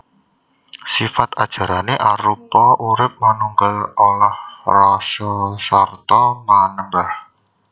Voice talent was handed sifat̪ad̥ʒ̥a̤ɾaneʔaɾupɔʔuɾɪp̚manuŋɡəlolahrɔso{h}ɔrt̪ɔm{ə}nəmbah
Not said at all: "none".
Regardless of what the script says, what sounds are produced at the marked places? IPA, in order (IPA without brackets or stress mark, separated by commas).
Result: s, a